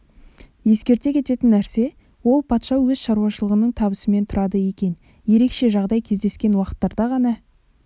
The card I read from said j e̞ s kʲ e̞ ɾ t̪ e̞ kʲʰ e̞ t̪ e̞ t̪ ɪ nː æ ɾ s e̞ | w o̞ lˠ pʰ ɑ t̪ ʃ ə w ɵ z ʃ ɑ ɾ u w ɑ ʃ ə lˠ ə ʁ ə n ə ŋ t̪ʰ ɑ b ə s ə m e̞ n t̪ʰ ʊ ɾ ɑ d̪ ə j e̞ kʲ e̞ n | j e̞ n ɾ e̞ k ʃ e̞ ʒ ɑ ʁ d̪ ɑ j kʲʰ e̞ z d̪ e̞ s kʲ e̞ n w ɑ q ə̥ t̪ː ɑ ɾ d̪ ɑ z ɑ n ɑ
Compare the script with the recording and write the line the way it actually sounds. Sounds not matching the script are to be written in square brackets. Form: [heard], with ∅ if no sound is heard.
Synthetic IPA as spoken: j e̞ s kʲ e̞ ɾ t̪ e̞ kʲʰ e̞ t̪ e̞ t̪ ɪ nː æ ɾ s e̞ | w o̞ lˠ pʰ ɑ t̪ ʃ [ɑ] w ɵ z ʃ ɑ ɾ u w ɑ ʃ ə lˠ ə ʁ ə n ə [ɴ] t̪ʰ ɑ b ə s ə m e̞ n t̪ʰ ʊ ɾ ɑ d̪ ə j e̞ kʲ e̞ n | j e̞ [∅] ɾ e̞ k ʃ e̞ ʒ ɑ ʁ d̪ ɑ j kʲʰ e̞ z d̪ e̞ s kʲ e̞ n w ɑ q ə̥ t̪ː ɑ ɾ d̪ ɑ [ʁ] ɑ n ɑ